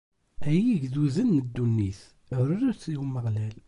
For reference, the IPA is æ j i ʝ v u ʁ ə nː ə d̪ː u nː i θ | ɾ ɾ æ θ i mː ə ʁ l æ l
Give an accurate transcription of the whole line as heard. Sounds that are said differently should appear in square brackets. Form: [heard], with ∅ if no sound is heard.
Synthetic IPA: æ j i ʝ [ð] u [z] ə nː ə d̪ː u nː i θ | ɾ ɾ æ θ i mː ə ʁ l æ l

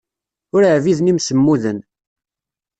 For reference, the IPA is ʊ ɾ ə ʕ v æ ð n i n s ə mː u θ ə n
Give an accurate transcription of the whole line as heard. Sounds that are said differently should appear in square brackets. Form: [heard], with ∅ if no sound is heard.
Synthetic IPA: ʊ ɾ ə ʕ v [i] ð n i [m] s ə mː u [ð] ə n

